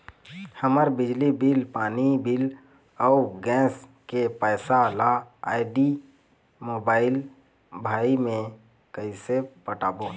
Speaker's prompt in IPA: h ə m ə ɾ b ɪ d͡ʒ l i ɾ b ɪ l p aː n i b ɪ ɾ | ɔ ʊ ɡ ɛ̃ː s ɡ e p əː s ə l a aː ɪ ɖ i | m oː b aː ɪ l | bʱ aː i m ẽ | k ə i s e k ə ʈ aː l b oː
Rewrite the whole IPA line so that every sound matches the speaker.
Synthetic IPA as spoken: h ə m ə ɾ b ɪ d͡ʒ l i b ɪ l p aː n i b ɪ l | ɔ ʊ ɡ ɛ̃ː s k e p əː s a l a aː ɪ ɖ i | m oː b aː ɪ l | bʱ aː i m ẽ | k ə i s e p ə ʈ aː b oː